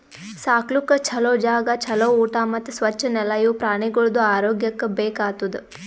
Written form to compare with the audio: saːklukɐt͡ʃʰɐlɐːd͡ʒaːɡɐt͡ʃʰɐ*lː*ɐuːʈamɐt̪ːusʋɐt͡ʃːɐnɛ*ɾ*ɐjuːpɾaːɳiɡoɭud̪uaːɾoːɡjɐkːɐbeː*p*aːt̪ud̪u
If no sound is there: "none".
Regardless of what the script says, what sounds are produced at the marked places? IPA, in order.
l, l, k

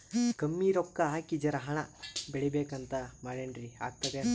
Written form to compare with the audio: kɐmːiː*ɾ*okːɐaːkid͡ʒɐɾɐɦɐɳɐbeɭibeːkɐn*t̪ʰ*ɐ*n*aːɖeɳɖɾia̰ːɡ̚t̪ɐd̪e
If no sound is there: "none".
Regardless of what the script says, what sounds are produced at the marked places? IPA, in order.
ɾ, t̪, m

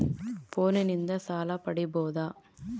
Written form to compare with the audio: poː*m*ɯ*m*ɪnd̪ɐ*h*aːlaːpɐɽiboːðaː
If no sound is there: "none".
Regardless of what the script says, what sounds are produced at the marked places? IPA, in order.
n, n, s

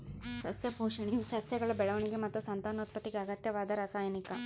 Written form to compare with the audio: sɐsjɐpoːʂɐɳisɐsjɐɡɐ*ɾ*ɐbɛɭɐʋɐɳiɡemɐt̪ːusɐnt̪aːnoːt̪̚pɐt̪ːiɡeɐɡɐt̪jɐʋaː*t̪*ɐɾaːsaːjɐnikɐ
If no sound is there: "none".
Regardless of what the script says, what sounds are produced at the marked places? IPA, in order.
ɭ, d̪

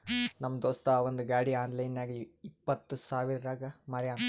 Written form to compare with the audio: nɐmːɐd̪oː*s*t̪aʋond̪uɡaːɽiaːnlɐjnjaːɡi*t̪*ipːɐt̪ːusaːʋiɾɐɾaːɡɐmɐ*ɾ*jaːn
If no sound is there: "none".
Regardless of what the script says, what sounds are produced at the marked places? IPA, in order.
s, none, ɾ

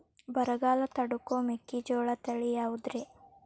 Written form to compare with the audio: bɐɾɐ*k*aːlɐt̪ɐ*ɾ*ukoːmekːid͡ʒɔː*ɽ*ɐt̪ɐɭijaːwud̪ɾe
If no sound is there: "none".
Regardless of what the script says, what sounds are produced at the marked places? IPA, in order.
ɡ, ɽ, ɭ

